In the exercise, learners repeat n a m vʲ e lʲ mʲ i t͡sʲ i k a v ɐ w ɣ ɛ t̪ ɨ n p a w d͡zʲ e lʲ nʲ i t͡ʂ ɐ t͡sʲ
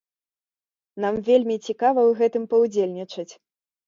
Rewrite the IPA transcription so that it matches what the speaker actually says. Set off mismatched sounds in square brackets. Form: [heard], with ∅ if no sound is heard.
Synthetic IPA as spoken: n a m vʲ e lʲ mʲ i t͡sʲ i k a v ɐ w ɣ ɛ t̪ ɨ [m] p [ɐ] w d͡zʲ e lʲ nʲ i t͡ʂ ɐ t͡sʲ